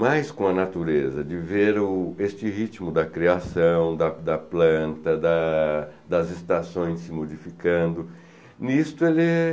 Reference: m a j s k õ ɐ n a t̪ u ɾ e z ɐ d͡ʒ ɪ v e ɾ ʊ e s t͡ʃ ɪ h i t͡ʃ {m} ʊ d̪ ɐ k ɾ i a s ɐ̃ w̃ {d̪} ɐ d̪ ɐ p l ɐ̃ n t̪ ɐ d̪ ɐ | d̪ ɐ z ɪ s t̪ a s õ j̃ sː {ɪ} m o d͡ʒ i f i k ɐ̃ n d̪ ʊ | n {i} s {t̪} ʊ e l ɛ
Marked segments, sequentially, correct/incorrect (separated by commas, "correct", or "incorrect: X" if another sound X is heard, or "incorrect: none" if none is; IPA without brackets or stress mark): correct, correct, correct, correct, correct